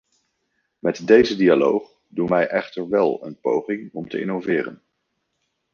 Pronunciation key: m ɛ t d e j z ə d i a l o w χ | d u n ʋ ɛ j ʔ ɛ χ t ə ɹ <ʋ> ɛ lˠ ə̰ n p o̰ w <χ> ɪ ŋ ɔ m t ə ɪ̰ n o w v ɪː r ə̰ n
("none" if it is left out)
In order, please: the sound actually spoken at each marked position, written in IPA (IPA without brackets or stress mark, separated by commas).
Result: ʋ, χ